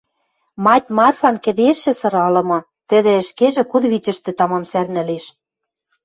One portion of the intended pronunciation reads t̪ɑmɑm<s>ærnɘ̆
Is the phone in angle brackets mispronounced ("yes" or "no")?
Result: no